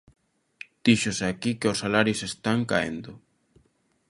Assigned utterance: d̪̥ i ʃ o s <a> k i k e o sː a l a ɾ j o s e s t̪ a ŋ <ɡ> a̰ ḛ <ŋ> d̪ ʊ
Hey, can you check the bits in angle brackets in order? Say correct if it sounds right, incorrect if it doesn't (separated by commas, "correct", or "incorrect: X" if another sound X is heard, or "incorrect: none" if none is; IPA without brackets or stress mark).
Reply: correct, incorrect: k, incorrect: n